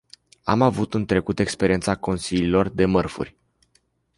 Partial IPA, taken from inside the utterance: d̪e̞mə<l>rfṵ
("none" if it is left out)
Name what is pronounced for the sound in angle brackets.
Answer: none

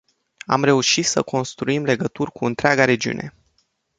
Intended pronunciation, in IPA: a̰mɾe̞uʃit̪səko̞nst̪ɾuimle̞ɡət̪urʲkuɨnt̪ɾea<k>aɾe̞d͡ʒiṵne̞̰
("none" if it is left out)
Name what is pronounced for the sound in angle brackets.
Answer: ɡ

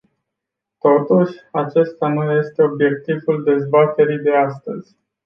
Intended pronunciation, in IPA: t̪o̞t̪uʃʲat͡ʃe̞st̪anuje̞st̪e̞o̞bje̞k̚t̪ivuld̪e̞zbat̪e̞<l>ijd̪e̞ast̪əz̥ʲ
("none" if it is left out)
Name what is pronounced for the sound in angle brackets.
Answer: ɾ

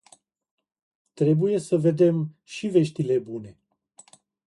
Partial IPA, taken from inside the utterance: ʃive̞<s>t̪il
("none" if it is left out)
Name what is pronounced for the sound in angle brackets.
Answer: ʃ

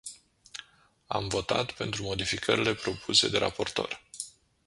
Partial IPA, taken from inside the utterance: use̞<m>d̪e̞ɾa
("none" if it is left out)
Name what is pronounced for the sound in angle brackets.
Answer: none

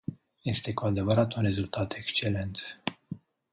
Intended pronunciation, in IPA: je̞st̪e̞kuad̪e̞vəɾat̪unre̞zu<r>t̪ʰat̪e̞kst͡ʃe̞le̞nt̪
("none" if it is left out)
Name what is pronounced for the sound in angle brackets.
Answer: l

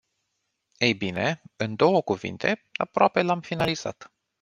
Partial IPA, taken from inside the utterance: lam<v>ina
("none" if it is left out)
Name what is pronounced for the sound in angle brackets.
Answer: f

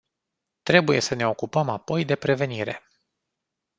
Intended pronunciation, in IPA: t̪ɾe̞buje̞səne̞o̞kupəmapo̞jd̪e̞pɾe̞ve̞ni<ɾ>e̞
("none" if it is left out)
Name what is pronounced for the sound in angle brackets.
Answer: ɾ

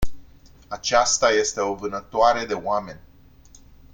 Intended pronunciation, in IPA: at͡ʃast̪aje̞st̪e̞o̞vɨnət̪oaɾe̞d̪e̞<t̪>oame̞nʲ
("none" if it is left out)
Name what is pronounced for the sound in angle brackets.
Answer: none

